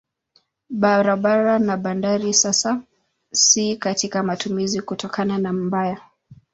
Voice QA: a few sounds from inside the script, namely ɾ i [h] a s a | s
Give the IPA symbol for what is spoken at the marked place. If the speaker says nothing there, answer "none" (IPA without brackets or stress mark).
s